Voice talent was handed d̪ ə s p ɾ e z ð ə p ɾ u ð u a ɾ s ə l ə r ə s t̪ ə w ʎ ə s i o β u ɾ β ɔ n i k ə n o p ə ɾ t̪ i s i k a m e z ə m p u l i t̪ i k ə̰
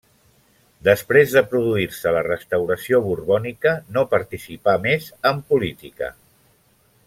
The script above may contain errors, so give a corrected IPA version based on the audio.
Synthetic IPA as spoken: d̪ ə s p ɾ e z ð ə p ɾ u ð u i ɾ s ə l ə r ə s t̪ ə w ɾ ə s i o β u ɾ β ɔ n i k ə n o p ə ɾ t̪ i s i p a m e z ə m p u l i t̪ i k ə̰